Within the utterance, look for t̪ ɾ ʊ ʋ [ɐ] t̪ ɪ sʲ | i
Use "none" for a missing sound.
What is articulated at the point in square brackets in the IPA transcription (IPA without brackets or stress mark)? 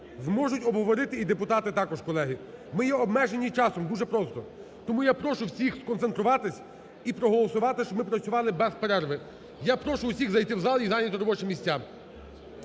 ɑ